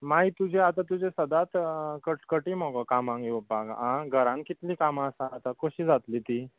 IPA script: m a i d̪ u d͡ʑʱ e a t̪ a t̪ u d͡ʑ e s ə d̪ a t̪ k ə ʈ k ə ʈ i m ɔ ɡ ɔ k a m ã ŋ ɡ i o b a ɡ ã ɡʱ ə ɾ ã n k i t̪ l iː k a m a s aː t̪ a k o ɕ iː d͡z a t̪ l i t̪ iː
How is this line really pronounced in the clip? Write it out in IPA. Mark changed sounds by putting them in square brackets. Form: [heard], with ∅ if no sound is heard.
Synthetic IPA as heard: m a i [t̪] u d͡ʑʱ e a t̪ a t̪ u d͡ʑ e s ə d̪ a t̪ k ə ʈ k ə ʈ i m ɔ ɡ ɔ k a m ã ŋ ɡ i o b a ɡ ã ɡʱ ə ɾ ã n k i t̪ l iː k a m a s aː t̪ a k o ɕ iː d͡z a t̪ l i t̪ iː